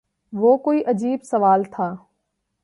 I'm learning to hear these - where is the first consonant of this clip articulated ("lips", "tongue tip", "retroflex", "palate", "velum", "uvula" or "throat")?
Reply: lips